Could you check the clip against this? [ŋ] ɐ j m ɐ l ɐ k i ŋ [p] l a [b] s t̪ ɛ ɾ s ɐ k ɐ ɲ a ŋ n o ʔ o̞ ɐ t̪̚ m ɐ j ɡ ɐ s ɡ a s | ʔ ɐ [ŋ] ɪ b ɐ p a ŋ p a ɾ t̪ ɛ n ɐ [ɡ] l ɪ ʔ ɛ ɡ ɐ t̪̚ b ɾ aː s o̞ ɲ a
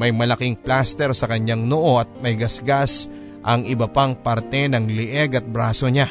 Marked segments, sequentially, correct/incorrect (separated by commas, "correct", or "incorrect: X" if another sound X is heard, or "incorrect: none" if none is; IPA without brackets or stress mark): incorrect: m, correct, incorrect: none, correct, incorrect: ŋ